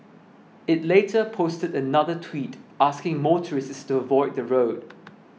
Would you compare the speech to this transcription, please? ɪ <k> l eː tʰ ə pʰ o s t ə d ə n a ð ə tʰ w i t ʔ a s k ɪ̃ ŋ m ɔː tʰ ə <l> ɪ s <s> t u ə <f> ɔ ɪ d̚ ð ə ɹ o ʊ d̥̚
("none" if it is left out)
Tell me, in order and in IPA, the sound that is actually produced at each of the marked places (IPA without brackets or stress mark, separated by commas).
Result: t, ɹ, s, v